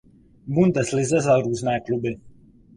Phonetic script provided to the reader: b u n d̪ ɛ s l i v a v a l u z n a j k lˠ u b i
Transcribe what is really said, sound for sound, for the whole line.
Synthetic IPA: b u n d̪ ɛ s l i z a z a ɾ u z n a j k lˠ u b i